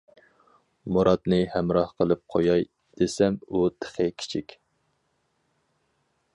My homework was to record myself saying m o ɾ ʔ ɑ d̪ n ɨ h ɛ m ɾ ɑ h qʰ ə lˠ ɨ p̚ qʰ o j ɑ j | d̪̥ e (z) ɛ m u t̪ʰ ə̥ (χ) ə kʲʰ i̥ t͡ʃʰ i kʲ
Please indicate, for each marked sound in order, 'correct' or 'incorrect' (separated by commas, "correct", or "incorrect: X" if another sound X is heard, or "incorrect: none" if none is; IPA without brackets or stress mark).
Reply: incorrect: s, correct